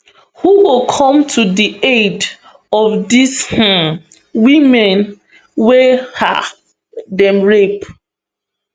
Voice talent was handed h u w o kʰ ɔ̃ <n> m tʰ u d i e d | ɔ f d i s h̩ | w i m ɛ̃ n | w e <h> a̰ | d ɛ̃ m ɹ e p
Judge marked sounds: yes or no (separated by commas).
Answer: no, yes